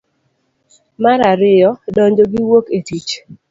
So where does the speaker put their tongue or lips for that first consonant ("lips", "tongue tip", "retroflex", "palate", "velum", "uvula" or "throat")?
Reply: lips